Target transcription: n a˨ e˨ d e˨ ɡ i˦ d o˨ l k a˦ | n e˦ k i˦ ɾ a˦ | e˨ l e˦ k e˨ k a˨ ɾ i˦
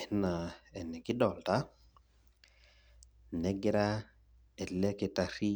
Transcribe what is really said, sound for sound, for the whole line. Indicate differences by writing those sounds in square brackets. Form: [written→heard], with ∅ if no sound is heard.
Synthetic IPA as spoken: n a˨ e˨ [d→n] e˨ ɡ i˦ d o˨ l [k→t] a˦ | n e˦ [k→ɡ] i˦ ɾ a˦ | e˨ l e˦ k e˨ [k→t] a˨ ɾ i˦